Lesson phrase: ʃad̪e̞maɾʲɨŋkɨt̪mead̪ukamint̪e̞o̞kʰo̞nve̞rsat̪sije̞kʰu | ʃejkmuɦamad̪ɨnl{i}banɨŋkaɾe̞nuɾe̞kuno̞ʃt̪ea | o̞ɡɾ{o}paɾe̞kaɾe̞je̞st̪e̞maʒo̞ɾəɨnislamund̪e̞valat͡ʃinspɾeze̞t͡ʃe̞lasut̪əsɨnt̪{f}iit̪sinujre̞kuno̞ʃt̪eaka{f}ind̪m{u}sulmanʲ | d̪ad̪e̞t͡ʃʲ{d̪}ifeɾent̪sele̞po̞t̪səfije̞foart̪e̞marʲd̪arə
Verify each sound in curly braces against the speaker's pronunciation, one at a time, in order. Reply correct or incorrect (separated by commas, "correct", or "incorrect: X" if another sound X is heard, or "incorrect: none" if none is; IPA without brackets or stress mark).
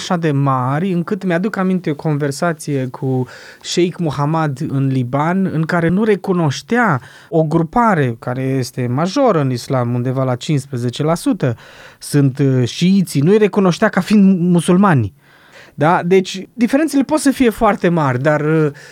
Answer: correct, incorrect: u, incorrect: ʃ, correct, correct, correct